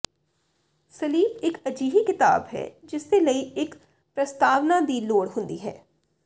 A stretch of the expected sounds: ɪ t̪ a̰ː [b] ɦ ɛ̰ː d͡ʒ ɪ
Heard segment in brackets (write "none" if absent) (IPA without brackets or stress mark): b